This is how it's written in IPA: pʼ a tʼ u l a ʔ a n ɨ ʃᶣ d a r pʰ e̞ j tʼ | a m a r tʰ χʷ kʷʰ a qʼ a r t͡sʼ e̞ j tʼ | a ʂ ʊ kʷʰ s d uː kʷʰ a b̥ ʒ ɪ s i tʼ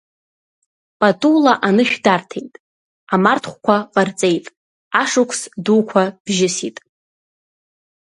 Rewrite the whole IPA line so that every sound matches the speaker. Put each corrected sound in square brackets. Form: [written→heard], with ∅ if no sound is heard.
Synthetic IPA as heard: pʼ a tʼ u l a ʔ a n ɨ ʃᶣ d a r [pʰ→tʰ] e̞ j tʼ | a m a r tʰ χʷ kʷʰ a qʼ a r t͡sʼ e̞ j tʼ | a ʂ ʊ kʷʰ s d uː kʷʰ a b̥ ʒ ɪ s i tʼ